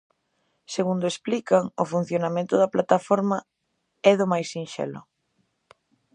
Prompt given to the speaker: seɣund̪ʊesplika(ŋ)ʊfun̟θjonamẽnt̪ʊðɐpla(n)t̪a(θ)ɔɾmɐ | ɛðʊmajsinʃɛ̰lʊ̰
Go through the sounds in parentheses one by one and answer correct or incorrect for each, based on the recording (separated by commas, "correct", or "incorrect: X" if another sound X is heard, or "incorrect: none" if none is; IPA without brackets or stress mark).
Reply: correct, incorrect: none, incorrect: f